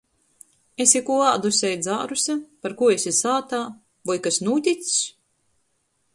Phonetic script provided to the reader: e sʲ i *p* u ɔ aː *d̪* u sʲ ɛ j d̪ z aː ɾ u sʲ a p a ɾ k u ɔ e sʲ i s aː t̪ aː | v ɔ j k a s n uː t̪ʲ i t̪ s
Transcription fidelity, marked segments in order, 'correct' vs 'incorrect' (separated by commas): incorrect, correct